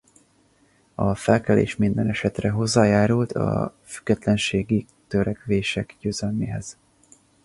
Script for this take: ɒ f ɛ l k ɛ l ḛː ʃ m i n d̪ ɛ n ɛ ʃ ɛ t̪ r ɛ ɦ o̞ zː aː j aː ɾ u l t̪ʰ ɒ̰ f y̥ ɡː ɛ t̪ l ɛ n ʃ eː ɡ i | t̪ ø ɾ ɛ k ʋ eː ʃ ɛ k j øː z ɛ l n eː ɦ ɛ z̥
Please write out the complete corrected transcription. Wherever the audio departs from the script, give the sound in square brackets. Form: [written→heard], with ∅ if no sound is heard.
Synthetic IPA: ɒ f ɛ l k ɛ l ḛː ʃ m i n d̪ ɛ n ɛ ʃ ɛ t̪ r ɛ ɦ o̞ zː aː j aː ɾ u l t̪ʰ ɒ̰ f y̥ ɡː ɛ t̪ l ɛ n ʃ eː ɡ i | t̪ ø ɾ ɛ k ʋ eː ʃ ɛ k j øː z ɛ l [n→m] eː ɦ ɛ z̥